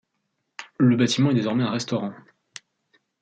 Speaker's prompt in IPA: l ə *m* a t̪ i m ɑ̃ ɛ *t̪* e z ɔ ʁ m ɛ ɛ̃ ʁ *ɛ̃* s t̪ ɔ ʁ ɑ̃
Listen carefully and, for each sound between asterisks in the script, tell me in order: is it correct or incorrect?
incorrect: b, incorrect: d̪, incorrect: ɛ

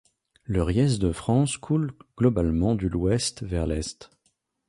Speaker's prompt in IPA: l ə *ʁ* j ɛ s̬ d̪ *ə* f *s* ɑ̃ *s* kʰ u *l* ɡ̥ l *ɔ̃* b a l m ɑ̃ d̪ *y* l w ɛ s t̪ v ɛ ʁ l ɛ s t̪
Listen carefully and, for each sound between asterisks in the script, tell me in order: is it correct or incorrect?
correct, correct, incorrect: χ, correct, correct, incorrect: ɔ, correct

